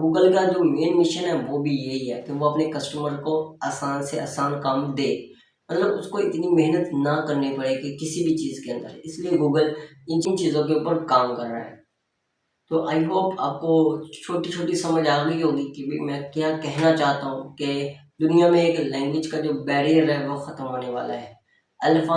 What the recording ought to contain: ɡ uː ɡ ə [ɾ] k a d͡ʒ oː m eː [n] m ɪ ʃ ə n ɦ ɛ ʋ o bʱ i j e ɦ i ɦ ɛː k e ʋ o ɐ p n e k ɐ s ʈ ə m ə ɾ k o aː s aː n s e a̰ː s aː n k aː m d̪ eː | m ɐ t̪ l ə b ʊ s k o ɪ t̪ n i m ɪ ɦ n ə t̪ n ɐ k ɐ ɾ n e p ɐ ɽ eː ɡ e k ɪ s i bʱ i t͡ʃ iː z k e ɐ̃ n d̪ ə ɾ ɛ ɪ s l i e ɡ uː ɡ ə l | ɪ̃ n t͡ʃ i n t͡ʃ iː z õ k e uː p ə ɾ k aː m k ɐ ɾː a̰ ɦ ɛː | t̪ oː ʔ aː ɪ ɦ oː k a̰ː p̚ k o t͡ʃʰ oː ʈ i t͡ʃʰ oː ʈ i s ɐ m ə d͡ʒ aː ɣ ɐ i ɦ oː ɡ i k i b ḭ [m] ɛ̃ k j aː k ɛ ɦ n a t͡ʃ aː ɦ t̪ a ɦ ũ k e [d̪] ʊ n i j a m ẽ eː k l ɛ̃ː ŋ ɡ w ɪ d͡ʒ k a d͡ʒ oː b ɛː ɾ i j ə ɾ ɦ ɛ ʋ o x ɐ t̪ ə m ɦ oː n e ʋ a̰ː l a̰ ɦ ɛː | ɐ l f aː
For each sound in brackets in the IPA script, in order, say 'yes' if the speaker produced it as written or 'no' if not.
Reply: no, yes, yes, yes

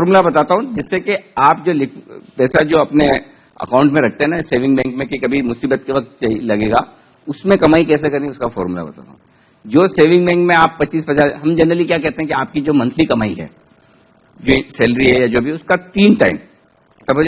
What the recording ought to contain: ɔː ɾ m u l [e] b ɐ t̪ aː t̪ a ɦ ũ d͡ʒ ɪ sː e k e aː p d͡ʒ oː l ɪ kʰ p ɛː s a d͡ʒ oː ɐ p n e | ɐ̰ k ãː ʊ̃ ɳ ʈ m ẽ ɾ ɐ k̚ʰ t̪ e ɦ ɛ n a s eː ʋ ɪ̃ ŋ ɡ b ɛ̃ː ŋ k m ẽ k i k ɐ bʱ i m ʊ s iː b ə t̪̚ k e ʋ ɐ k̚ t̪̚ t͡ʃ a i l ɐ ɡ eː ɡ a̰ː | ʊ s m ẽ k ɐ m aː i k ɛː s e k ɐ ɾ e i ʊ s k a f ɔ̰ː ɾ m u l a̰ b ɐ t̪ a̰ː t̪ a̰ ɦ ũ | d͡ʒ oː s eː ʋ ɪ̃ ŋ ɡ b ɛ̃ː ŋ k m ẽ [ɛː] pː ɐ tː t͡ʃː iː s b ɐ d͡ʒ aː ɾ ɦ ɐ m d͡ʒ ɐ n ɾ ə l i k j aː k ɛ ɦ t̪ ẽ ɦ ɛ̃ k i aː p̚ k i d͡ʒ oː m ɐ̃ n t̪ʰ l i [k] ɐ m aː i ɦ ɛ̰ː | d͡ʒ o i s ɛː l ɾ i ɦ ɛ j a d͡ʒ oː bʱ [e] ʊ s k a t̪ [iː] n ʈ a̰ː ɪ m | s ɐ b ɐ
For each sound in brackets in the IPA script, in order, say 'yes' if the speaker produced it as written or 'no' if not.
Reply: no, no, yes, no, yes

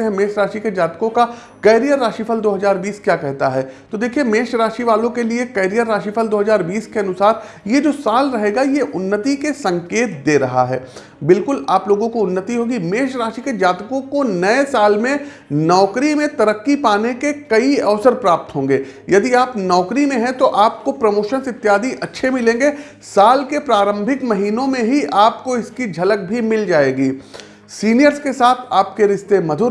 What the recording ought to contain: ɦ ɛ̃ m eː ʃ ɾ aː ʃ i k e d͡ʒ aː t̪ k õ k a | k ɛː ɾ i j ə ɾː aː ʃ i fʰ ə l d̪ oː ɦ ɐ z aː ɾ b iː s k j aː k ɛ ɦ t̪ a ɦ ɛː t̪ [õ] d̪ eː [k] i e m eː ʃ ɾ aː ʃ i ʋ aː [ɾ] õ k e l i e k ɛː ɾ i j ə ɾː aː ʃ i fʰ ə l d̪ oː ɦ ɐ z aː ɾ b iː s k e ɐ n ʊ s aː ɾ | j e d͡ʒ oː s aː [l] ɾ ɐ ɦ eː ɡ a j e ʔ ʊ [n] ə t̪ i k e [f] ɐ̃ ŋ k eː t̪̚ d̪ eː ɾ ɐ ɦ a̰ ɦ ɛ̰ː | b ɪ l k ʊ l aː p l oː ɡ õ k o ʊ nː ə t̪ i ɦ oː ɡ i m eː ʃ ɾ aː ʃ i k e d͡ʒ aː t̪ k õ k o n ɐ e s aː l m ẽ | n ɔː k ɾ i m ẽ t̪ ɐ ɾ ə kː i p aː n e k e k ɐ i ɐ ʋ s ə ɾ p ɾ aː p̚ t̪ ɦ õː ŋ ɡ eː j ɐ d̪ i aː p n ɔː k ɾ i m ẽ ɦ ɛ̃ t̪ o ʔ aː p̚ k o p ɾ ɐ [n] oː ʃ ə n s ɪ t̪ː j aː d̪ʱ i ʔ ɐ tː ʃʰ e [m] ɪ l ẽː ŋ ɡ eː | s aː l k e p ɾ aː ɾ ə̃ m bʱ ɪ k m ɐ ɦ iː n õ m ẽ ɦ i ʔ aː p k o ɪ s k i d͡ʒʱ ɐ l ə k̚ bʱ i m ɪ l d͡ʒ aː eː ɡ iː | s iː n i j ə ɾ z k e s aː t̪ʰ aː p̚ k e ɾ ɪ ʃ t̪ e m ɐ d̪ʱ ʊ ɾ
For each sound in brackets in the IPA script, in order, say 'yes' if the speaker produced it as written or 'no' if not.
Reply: no, no, no, yes, no, no, no, yes

